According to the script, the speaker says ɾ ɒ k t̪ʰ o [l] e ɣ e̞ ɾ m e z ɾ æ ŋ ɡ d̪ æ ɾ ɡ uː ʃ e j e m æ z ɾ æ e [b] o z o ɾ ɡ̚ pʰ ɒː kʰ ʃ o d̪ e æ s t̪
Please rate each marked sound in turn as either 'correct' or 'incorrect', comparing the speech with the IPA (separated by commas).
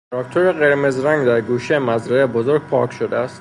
incorrect, correct